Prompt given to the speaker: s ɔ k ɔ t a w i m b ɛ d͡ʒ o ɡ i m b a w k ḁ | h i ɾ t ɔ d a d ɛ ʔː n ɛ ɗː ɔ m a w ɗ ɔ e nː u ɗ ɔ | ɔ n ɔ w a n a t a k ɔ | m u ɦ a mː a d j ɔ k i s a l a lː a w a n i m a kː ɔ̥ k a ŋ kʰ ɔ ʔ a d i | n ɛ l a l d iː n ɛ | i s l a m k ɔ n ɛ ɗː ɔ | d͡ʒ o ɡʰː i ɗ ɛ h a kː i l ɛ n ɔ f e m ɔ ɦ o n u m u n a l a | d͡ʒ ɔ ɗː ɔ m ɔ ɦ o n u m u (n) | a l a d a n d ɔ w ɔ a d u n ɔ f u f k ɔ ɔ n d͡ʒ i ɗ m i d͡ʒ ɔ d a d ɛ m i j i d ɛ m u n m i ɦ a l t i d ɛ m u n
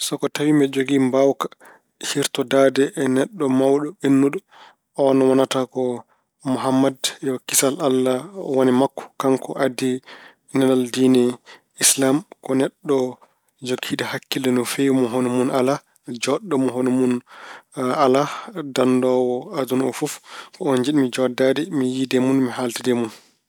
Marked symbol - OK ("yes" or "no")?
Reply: yes